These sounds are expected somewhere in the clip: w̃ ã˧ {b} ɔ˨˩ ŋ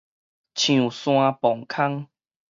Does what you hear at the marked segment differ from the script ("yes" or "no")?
yes